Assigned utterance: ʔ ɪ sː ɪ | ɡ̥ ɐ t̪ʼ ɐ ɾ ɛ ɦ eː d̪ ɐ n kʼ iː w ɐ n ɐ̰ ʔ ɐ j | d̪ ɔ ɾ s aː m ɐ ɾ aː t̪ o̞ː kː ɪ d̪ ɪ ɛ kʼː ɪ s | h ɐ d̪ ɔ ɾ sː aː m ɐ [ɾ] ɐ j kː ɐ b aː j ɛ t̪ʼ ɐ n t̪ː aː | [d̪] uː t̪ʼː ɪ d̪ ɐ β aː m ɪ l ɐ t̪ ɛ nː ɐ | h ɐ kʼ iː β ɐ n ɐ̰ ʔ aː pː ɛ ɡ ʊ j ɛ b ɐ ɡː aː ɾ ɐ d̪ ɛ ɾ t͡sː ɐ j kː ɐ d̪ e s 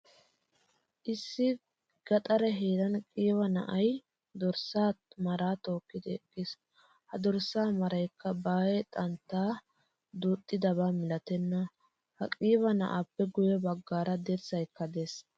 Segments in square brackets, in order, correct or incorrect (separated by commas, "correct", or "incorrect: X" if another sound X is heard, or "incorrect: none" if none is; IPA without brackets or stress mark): correct, correct